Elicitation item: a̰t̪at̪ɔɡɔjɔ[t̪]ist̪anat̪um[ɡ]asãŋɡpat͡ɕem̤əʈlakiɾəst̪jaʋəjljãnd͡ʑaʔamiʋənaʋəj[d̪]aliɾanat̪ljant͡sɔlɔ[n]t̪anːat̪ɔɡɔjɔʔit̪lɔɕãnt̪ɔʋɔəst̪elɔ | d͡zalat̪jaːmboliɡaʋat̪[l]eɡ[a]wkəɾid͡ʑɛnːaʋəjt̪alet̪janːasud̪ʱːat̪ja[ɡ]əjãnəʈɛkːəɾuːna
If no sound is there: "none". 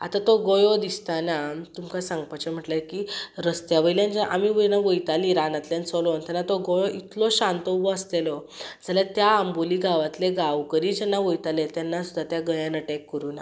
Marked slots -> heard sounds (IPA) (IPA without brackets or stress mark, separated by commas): d̪, k, t̪, n, l, a, ɡ